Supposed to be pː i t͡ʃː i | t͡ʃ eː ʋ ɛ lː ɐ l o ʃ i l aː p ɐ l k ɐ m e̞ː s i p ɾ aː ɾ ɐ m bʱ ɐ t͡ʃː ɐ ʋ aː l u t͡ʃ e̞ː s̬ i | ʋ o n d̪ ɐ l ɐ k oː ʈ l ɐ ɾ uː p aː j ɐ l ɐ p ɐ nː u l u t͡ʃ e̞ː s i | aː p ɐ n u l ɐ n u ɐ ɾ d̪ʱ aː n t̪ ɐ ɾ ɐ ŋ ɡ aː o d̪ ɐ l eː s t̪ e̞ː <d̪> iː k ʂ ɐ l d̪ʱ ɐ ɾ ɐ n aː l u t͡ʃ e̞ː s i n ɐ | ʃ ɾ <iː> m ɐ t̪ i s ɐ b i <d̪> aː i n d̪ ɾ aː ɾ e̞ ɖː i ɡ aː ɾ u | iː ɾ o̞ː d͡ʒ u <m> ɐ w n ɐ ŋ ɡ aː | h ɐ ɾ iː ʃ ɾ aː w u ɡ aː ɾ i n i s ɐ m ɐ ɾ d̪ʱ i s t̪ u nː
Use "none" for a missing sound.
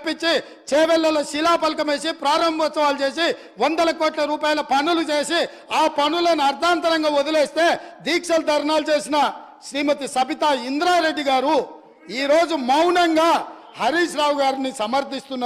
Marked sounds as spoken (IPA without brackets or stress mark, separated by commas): d̪, iː, t̪, m